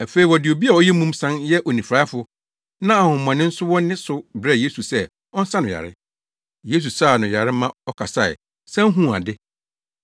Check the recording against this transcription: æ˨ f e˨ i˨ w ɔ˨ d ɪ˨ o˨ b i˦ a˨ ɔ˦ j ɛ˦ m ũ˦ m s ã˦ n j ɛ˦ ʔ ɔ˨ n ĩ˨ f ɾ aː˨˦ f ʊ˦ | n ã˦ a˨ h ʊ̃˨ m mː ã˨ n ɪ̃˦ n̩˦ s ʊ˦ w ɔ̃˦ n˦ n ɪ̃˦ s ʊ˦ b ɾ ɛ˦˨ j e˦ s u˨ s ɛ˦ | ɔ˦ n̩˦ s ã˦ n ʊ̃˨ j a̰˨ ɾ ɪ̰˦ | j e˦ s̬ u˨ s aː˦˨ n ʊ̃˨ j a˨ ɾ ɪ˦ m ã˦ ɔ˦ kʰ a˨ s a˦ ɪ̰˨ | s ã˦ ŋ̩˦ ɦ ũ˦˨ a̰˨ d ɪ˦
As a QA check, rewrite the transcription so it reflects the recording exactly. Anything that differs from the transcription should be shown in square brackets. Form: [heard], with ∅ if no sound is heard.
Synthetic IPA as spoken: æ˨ f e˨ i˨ w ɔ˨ d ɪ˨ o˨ b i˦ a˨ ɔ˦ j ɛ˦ m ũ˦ m s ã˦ n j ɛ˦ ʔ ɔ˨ n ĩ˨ f ɾ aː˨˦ f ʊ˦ | n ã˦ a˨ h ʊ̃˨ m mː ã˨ n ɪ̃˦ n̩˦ s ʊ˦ w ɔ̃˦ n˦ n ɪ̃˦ s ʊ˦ b ɾ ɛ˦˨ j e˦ s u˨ s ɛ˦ | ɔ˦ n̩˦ s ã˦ n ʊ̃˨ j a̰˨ ɾ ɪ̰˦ | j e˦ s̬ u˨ s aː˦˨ n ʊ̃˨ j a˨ ɾ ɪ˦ m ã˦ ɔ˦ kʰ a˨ s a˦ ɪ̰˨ | s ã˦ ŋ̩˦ ɦ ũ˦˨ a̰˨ d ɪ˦

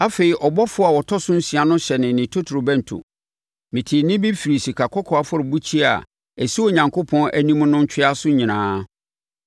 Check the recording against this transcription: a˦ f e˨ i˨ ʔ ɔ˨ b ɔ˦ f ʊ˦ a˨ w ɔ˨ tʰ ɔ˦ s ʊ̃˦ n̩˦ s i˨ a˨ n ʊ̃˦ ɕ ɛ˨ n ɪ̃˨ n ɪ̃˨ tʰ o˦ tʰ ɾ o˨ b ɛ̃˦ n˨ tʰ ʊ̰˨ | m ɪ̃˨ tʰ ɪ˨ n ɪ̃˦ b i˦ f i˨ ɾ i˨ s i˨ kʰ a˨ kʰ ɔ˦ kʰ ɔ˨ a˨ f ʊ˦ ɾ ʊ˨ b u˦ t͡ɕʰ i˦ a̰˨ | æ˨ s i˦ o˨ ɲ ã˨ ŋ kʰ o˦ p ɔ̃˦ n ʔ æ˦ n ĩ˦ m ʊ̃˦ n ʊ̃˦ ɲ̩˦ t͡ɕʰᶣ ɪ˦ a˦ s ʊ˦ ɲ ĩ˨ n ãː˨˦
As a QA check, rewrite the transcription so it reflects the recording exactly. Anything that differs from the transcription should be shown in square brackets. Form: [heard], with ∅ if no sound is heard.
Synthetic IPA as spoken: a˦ f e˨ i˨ ʔ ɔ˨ b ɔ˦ f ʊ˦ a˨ w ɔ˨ tʰ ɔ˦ s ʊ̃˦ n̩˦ s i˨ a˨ n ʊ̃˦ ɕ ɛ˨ n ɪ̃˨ n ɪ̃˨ tʰ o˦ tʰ ɾ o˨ b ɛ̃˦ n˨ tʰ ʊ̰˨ | m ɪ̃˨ tʰ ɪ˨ n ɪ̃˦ b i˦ f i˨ ɾ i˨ s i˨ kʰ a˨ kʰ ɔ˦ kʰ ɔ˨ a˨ f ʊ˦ ɾ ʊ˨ b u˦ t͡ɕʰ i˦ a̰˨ | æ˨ s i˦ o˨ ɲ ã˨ ŋ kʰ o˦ [pʰ] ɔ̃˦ n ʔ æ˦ n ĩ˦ m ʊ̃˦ n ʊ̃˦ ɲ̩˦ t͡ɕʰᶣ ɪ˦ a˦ s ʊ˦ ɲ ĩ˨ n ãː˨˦

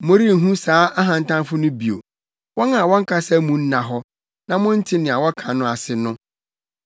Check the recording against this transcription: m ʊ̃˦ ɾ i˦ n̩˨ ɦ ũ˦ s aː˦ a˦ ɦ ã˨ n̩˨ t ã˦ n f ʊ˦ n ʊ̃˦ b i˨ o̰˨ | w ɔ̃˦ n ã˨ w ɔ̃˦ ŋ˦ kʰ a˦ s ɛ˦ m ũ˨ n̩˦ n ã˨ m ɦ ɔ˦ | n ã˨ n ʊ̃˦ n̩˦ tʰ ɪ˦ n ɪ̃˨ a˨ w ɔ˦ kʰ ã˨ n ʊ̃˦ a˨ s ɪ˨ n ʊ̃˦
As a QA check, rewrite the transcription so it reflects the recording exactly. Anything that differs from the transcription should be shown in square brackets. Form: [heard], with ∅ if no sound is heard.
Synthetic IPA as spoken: m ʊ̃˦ ɾ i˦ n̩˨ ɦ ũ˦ s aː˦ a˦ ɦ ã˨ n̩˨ t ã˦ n f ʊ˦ n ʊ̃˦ b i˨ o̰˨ | w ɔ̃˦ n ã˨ w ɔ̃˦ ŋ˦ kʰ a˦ s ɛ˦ m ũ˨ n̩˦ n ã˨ [∅] ɦ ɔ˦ | n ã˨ [m] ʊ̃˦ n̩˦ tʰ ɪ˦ n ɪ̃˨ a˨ w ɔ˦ kʰ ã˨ n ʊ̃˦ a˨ s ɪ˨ n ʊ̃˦

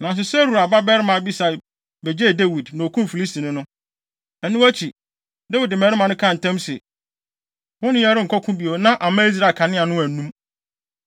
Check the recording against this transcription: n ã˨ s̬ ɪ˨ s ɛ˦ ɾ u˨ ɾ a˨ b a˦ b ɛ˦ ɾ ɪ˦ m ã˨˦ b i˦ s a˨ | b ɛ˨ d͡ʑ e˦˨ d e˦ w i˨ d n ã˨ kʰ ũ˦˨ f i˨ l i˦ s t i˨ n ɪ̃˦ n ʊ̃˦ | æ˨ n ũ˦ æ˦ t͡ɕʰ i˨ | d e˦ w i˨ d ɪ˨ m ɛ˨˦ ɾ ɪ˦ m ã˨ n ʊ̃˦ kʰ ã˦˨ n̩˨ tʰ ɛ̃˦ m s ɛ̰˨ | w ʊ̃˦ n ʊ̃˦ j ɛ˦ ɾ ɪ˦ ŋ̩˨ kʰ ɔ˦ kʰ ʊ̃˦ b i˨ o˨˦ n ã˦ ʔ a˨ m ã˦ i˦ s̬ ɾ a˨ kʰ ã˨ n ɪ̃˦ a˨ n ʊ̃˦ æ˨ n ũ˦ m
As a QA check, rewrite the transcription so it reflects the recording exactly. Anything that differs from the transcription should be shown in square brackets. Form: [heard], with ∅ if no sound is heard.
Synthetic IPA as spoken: n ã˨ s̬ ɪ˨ s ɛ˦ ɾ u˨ ɾ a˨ b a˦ b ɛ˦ ɾ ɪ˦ m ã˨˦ b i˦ s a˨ | b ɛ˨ d͡ʑ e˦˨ d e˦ w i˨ d n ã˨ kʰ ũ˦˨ f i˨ l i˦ s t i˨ n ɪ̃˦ n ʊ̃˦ | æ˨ n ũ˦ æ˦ t͡ɕʰ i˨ | d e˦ w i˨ d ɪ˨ m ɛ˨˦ ɾ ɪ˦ m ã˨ n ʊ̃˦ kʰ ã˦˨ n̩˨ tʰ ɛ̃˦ m s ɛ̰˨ | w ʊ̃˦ n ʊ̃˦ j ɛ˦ ɾ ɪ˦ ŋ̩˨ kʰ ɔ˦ kʰ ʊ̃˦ b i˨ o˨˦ n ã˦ ʔ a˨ m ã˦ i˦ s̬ ɾ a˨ kʰ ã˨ n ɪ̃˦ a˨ n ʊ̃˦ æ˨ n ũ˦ m

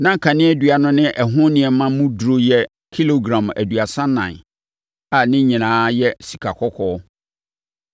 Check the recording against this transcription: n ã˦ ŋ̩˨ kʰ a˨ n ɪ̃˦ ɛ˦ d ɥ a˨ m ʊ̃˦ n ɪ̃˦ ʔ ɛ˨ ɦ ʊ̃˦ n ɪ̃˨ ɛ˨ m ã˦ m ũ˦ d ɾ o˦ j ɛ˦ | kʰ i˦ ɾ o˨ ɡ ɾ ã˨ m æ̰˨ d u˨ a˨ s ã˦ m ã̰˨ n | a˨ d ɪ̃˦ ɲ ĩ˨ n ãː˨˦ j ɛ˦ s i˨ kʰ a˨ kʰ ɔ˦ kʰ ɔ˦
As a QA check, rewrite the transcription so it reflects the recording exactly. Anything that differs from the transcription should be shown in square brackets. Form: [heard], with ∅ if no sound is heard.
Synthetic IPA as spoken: n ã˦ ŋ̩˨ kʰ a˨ n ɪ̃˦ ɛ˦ d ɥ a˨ [n] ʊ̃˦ n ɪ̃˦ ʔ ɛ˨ ɦ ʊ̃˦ n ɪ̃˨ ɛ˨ m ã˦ m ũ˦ d ɾ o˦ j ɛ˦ | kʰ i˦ [l] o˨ ɡ ɾ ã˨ m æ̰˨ d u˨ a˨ s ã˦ [n] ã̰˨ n | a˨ [n] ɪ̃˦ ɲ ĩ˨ n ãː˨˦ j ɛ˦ s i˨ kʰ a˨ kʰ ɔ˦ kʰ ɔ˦

